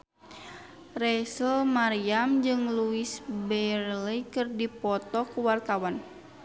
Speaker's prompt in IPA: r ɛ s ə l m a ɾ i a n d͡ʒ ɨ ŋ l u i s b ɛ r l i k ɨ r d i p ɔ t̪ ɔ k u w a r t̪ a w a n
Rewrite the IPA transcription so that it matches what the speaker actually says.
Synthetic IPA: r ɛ s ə l m a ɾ i a m d͡ʒ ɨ ŋ l u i s b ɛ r l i k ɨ r d i p ɔ t̪ ɔ k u w a r t̪ a w a n